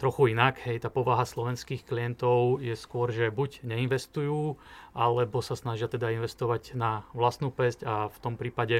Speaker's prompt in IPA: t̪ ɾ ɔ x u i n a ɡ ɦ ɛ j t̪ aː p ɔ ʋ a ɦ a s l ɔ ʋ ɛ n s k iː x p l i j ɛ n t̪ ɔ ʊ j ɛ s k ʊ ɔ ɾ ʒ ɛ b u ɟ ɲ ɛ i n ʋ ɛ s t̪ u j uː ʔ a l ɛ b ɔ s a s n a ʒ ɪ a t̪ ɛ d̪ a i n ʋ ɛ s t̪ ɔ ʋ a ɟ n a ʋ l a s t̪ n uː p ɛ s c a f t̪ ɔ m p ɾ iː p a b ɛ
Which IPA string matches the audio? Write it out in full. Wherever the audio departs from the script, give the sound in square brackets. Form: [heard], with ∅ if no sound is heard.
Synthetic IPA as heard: t̪ ɾ ɔ x u i n a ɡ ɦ ɛ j t̪ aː p ɔ ʋ a ɦ a s l ɔ ʋ ɛ n s k iː x [k] l i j ɛ n t̪ ɔ ʊ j ɛ s k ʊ ɔ ɾ ʒ ɛ b u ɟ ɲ ɛ i n ʋ ɛ s t̪ u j uː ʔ a l ɛ b ɔ s a s n a ʒ ɪ a t̪ ɛ d̪ a i n ʋ ɛ s t̪ ɔ ʋ a ɟ n a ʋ l a s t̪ n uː p ɛ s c a f t̪ ɔ m p ɾ iː p a [ɟ] ɛ